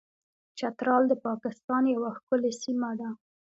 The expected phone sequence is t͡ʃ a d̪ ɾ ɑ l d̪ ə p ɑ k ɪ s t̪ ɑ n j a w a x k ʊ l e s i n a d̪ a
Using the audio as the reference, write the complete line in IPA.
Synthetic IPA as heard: t͡ʃ a t̪ ɾ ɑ l d̪ ə p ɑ k ɪ s t̪ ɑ n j a w a x k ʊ l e s i m a d̪ a